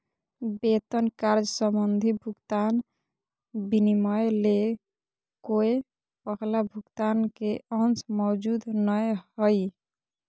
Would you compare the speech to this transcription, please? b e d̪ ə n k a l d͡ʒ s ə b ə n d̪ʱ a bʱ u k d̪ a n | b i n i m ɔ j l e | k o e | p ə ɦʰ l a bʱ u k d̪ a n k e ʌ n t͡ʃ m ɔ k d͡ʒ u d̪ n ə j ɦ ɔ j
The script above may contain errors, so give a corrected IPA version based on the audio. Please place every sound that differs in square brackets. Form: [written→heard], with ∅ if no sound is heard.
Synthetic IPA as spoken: b e [d̪→t̪] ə n k a [l→ɾ] d͡ʒ s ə [b→m] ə n d̪ʱ [a→i] bʱ u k [d̪→t̪] a n | b i n i m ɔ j l e | k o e | p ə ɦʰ l a bʱ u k [d̪→t̪] a n k e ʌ n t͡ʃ m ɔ [k→∅] d͡ʒ u d̪ n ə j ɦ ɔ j